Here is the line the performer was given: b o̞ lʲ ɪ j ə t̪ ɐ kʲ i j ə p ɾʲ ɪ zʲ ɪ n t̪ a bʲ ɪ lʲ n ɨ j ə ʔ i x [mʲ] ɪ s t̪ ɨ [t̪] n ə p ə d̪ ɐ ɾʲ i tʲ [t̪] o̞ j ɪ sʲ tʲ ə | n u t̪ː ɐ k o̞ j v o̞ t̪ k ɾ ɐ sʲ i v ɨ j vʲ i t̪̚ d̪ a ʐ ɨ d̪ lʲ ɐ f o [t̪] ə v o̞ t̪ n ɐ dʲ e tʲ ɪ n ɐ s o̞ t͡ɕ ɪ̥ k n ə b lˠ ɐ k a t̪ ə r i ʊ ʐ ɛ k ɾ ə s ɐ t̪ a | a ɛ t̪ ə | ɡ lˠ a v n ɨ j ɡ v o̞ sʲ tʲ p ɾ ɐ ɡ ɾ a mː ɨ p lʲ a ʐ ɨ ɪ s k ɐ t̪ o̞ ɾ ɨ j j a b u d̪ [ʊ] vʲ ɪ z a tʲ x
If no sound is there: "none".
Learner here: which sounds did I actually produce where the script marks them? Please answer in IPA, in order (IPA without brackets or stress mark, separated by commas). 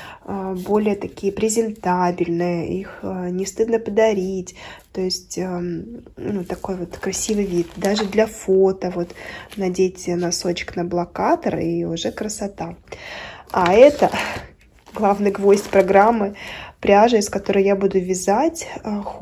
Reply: nʲ, d̪, t̪, t̪, ʊ